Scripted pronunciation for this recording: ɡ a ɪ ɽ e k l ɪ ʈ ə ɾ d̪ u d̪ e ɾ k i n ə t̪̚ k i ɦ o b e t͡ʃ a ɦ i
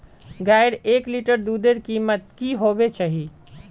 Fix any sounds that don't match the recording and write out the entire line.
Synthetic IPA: ɡ a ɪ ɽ e k l i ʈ ə ɾ d̪ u d̪ e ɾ k i m ə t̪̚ k i ɦ o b e t͡ʃ a ɦ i